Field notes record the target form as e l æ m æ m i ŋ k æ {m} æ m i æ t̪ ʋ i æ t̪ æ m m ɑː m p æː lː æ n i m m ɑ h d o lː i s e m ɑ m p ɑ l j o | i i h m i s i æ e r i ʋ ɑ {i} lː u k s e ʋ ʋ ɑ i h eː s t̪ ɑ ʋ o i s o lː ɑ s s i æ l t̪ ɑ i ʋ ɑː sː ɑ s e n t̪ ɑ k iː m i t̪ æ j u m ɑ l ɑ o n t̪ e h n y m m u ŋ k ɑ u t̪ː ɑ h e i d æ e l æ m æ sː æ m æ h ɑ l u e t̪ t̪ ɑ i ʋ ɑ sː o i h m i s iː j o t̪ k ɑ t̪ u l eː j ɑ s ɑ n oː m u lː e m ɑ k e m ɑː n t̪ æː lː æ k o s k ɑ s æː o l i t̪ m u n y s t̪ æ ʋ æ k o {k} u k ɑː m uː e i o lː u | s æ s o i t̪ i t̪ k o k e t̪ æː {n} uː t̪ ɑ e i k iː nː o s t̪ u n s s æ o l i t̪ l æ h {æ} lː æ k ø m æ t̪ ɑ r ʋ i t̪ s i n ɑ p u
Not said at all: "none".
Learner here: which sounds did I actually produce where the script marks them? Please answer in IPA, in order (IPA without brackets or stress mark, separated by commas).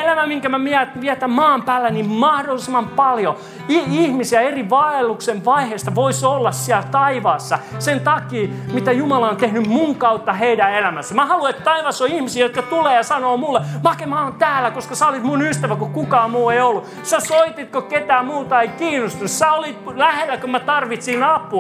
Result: m, e, k, m, e